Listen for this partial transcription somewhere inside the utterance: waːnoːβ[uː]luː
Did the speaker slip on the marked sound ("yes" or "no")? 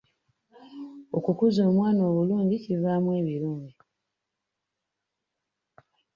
yes